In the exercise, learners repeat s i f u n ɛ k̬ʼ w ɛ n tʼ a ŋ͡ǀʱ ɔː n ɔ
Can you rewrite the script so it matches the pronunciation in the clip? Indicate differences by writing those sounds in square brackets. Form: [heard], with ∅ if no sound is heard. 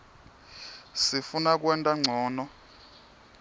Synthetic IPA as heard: s i f u n [a] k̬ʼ w ɛ n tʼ a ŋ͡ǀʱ ɔː n ɔ